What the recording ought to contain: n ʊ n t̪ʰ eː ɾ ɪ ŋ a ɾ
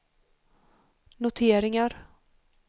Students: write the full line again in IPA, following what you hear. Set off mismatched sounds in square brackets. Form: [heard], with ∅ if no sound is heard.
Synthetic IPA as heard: n ʊ [∅] t̪ʰ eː ɾ ɪ ŋ a ɾ